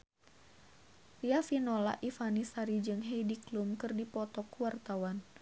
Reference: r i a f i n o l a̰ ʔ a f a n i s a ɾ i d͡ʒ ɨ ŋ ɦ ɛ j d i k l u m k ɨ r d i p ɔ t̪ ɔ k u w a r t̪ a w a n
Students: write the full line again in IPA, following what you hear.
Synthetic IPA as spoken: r i a f i n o l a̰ ʔ i f a n i s a ɾ i d͡ʒ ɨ ŋ ɦ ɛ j d i k l u m k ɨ r d i p ɔ t̪ ɔ k u w a r t̪ a w a n